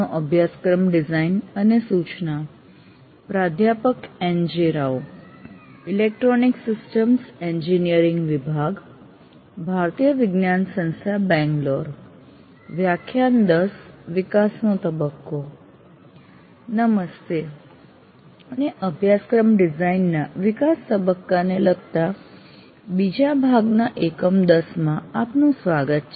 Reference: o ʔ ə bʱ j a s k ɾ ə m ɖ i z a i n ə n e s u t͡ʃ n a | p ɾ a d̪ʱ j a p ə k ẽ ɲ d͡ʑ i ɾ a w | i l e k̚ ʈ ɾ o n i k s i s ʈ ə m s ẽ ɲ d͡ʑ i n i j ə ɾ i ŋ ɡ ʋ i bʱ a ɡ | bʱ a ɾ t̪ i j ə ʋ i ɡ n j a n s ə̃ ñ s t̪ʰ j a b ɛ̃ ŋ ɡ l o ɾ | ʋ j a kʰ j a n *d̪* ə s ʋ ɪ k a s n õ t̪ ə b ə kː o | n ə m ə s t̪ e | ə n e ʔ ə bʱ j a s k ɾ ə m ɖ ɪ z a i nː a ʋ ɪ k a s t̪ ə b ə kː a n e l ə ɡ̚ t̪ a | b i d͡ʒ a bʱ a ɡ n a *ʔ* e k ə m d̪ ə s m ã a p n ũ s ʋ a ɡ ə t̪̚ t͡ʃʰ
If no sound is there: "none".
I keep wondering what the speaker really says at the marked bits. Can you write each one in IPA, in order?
d̪, ʔ

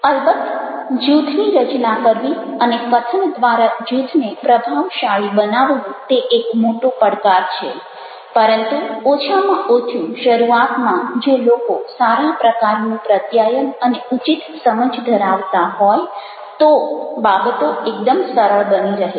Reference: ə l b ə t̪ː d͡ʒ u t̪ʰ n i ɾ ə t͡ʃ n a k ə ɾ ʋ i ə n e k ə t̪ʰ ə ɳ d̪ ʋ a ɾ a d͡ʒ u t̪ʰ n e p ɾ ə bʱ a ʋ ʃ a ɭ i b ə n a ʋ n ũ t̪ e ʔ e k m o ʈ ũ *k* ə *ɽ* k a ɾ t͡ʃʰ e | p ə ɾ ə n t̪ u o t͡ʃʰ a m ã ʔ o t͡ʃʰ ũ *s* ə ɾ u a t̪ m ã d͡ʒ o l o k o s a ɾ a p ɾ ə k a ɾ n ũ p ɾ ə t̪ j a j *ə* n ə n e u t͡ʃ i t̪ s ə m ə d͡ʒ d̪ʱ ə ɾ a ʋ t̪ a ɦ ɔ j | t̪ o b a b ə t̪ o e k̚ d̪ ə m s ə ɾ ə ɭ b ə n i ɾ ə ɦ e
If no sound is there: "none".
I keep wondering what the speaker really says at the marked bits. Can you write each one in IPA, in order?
p, ɽ, ʃ, ə

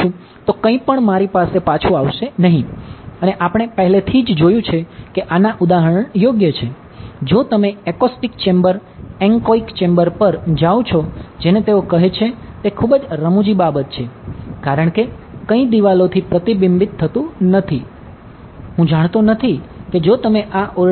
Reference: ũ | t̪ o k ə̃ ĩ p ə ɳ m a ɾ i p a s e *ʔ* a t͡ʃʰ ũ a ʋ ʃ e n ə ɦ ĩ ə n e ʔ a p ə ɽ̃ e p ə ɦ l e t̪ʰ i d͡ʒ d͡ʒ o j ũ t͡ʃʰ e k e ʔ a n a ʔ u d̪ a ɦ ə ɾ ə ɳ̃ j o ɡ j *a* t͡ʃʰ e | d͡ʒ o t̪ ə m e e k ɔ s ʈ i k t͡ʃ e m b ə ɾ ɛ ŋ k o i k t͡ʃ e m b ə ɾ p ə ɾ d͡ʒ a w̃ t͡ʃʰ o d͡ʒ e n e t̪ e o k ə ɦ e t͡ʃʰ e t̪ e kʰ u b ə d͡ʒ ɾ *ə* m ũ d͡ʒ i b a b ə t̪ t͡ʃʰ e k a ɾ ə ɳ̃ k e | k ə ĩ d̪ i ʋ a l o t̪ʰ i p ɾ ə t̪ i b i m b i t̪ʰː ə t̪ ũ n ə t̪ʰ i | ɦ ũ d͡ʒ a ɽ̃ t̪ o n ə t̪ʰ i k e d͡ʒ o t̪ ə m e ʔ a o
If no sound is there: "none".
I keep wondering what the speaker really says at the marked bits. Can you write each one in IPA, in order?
p, ə, ə

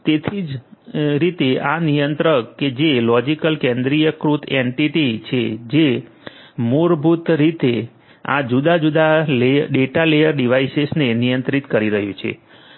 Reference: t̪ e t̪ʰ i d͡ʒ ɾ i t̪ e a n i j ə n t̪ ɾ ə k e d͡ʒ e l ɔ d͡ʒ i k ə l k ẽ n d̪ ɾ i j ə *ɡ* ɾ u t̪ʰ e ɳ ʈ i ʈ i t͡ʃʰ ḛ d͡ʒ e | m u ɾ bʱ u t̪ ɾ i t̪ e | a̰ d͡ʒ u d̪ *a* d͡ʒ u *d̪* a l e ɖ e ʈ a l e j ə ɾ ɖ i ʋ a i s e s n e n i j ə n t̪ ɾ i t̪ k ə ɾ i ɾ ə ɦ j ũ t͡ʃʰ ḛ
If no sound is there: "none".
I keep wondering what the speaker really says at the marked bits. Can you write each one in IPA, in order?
k, a, d̪

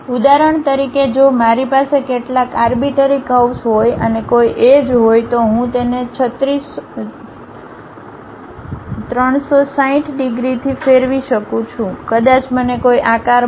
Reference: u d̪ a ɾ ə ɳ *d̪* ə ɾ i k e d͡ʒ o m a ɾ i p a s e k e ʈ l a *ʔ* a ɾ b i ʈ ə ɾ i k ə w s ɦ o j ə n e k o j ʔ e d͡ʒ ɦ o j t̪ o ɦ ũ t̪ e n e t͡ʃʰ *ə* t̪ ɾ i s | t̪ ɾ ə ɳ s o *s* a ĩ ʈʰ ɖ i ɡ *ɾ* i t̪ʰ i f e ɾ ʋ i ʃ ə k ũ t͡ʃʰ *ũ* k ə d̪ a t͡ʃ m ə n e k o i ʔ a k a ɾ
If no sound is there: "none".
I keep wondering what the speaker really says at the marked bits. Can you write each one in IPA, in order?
t̪, k, ə, s, ɾ, ũ

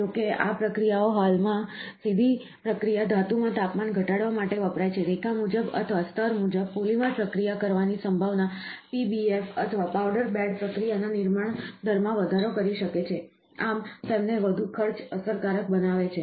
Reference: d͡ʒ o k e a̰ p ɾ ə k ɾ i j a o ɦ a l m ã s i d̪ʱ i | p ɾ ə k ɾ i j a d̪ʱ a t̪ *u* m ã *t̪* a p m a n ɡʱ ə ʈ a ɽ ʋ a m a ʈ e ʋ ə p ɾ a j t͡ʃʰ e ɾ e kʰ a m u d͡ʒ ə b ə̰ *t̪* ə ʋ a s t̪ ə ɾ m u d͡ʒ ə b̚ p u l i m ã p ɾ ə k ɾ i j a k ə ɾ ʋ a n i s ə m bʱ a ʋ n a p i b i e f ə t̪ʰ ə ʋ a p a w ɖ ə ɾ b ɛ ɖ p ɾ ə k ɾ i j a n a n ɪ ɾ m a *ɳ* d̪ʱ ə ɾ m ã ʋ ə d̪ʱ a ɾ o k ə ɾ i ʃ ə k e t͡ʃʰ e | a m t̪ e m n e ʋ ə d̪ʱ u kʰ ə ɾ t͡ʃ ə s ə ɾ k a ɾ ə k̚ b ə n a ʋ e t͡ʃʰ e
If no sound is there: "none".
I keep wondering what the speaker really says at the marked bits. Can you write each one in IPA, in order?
u, t̪, t̪ʰ, ɳ

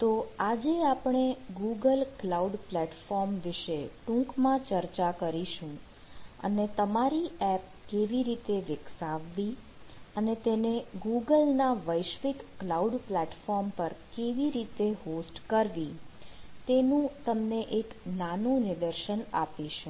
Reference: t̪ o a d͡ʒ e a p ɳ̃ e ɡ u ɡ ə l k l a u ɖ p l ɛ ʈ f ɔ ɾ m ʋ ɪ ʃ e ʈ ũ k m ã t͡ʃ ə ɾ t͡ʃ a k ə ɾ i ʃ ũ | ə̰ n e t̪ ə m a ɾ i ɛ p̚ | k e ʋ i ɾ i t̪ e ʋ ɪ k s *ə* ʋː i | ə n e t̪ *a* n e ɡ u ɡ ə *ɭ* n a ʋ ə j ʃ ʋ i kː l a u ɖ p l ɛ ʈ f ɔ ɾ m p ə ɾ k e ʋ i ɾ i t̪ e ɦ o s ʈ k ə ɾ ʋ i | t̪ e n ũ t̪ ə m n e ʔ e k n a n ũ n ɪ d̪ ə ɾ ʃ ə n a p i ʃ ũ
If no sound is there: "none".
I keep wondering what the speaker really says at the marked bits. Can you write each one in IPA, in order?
a, e, l

